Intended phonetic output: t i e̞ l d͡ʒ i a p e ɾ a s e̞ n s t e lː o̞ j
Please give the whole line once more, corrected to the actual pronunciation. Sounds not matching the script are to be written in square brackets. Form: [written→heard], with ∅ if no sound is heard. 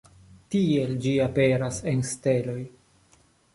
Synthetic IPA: t i e̞ l d͡ʒ i a p e ɾ a s e̞ n s t e [lː→l] o̞ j